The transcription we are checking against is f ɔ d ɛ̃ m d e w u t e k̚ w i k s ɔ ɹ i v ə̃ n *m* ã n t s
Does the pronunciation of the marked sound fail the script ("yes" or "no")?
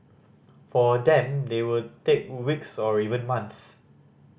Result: no